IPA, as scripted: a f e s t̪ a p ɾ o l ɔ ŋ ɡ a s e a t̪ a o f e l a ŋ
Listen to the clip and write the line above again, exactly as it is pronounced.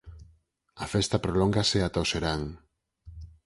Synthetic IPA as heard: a f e s t̪ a p ɾ o l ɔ ŋ ɡ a s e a t̪ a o s e ɾ a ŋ